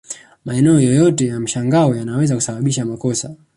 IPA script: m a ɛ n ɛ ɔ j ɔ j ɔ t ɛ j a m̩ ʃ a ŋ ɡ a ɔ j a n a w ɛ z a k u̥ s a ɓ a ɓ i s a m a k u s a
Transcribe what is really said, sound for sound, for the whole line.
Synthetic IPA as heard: m a ɛ n ɛ ɔ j ɔ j ɔ t ɛ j a m̩ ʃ a ŋ ɡ a ɔ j a n a w ɛ z a k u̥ s a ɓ a ɓ i ʃ a m a k ɔ s a